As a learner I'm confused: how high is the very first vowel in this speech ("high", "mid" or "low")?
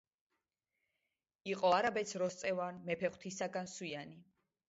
high